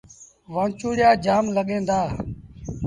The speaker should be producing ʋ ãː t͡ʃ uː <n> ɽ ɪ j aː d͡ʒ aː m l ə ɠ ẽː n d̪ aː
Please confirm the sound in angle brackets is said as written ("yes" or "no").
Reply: no